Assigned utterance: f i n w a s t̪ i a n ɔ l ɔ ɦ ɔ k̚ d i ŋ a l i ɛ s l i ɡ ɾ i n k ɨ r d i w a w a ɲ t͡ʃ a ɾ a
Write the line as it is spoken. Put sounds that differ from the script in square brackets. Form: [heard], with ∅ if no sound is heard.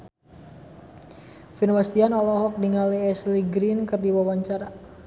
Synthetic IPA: f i n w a s t̪ i a n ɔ l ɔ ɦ ɔ k̚ d i ŋ a l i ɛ s l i ɡ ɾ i n k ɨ r d i w a w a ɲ t͡ʃ a ɾ a